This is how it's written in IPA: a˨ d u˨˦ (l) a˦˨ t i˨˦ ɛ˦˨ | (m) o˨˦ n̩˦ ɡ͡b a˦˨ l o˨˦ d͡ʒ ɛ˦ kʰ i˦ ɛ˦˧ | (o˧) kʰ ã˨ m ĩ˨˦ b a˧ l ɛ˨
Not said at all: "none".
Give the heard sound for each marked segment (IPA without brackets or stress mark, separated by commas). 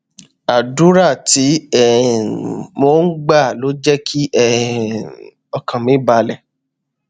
ɾ, m, ɔ˧